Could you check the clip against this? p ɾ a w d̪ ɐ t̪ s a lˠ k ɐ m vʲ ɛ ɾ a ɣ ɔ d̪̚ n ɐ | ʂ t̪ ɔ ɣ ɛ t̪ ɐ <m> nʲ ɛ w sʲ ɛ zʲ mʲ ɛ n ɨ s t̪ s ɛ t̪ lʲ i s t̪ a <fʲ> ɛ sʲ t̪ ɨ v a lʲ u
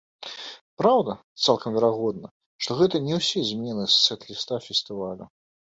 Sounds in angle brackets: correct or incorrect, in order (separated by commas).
incorrect, correct